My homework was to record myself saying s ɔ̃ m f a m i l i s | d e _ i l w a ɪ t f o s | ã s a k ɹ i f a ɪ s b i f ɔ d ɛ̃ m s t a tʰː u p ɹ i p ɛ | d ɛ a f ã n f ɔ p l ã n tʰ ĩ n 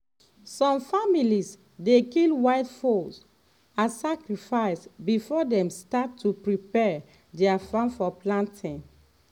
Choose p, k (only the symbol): k